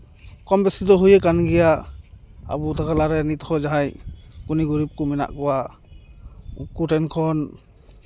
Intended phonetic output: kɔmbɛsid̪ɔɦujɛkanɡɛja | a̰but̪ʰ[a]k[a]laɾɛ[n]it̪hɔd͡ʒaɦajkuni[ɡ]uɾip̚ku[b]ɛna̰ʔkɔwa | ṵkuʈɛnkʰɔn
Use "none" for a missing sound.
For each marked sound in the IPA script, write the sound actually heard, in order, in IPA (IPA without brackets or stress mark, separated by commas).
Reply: a, a, n, ɡ, m